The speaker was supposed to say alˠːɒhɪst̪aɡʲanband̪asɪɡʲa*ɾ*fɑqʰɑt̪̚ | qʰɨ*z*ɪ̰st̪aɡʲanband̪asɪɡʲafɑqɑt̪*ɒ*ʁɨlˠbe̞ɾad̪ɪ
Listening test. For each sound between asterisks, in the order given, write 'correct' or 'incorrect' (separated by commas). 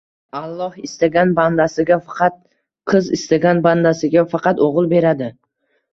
incorrect, correct, incorrect